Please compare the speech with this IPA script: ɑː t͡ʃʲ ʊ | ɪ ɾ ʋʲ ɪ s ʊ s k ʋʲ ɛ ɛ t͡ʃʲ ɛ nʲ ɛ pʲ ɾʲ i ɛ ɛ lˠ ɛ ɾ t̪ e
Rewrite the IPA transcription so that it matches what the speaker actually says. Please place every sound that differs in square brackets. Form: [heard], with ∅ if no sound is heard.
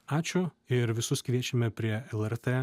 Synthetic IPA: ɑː t͡ʃʲ ʊ | ɪ ɾ ʋʲ ɪ s ʊ s k ʋʲ [i] ɛ t͡ʃʲ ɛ [mʲ] ɛ pʲ ɾʲ i ɛ ɛ lˠ ɛ ɾ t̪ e